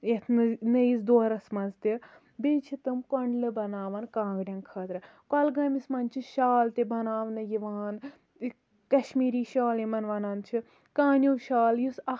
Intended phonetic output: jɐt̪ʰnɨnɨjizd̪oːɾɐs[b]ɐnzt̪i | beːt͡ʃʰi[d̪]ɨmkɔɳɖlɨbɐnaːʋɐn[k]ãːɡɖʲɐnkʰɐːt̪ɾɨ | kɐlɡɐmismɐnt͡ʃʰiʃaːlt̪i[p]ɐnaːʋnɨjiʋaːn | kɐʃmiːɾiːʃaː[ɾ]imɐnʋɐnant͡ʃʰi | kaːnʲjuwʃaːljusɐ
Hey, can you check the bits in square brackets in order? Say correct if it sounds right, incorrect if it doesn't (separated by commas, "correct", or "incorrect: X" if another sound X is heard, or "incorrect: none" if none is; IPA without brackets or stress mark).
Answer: incorrect: m, incorrect: t̪, correct, incorrect: b, incorrect: l